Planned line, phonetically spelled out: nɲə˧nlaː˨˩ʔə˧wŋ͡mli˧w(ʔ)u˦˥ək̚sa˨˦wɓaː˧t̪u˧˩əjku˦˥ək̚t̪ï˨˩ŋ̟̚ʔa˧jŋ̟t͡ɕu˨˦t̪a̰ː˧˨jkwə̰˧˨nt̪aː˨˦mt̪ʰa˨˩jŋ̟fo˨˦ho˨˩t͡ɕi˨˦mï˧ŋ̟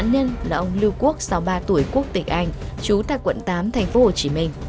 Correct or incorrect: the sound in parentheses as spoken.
incorrect: k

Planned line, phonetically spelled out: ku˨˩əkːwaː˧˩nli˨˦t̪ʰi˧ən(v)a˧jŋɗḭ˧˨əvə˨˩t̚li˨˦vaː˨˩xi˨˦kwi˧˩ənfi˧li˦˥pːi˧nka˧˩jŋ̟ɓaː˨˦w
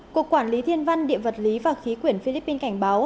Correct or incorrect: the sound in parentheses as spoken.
correct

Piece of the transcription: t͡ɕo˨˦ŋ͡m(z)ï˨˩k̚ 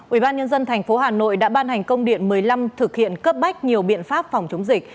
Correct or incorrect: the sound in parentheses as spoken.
correct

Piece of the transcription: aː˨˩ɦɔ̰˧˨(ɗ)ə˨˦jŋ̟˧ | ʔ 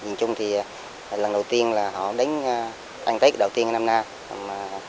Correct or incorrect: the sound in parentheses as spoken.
correct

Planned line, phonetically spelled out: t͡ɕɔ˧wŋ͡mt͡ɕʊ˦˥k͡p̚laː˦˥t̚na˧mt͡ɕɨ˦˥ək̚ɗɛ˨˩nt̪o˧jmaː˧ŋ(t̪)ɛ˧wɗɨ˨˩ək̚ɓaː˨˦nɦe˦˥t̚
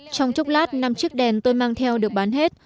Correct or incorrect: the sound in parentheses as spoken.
incorrect: t̪ʰ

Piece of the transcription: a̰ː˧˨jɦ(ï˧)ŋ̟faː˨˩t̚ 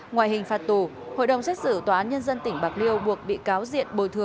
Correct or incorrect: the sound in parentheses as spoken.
incorrect: ï˨˩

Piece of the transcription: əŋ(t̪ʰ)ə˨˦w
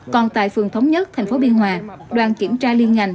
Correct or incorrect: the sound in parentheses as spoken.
correct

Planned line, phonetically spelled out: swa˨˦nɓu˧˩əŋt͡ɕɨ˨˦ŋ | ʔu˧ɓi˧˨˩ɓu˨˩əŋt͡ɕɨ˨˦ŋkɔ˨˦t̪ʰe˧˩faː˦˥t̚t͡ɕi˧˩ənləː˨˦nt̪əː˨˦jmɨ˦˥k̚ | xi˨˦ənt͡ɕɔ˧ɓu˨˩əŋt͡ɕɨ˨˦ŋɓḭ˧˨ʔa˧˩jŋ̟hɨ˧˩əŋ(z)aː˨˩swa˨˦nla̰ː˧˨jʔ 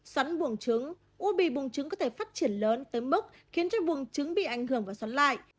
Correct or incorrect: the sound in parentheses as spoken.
incorrect: v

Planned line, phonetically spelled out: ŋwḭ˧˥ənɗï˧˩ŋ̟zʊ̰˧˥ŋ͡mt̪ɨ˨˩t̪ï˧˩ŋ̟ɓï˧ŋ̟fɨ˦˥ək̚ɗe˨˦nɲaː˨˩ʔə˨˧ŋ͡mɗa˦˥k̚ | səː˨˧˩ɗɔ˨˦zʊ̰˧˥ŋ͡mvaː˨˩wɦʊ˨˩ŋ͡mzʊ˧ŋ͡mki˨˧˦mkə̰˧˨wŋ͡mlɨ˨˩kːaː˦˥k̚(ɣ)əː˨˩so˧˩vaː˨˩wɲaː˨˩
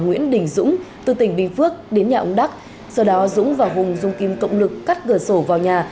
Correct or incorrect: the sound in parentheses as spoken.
correct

